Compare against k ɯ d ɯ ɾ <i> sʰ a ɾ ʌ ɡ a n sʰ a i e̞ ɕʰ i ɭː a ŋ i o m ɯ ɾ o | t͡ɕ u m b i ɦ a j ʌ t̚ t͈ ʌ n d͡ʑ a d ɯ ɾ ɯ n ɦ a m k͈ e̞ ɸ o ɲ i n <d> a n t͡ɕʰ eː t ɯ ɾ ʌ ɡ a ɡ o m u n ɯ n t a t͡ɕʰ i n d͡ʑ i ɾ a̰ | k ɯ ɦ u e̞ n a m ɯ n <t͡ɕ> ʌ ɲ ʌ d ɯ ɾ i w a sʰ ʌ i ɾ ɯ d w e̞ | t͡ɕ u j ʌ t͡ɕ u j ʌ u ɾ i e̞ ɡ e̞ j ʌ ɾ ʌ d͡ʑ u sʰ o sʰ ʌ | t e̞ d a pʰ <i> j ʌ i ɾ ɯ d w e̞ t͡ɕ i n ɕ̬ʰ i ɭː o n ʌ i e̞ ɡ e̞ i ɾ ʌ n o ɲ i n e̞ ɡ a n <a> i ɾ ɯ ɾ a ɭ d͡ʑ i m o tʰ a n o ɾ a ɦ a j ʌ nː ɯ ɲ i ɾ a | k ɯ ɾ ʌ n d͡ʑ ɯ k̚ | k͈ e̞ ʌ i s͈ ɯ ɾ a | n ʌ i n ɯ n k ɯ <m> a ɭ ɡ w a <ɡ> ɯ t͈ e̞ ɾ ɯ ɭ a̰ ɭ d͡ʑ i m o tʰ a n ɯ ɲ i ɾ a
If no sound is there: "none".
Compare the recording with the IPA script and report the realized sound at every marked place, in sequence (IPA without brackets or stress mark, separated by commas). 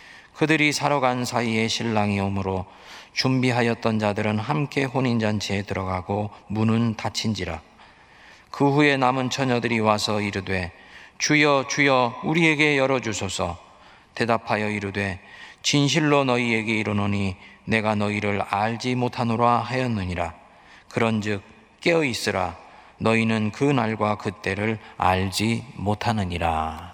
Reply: i, d͡ʑ, t͡ɕʰ, a, ʌ, n, k